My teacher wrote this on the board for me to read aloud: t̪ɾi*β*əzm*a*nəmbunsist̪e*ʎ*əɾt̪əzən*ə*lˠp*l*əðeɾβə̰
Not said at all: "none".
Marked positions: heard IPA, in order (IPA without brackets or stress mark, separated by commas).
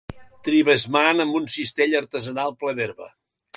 β, a, ʎ, a, l